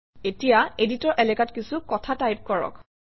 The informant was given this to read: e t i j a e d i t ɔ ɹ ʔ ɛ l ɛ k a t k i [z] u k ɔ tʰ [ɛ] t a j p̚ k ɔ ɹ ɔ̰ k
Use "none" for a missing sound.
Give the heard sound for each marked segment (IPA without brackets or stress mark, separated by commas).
s, a